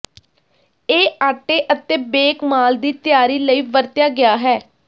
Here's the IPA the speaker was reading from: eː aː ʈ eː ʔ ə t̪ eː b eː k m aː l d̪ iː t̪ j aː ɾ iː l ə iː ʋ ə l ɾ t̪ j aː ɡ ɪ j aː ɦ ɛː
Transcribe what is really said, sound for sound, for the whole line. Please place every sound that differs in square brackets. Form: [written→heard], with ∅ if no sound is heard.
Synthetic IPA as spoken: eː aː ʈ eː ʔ ə t̪ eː b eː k m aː l d̪ iː t̪ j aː ɾ iː l ə iː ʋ ə [l→∅] ɾ t̪ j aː ɡ ɪ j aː ɦ ɛː